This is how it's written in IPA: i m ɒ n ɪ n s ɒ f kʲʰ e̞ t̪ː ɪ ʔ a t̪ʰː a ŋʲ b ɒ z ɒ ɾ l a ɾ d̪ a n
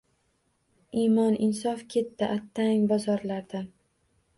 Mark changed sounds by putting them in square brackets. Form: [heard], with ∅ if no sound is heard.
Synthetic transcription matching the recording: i m ɒ n ɪ n s ɒ f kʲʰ e̞ t̪ː ɪ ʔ a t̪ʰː a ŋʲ b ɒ z ɒ ɾ l a ɾ d̪ a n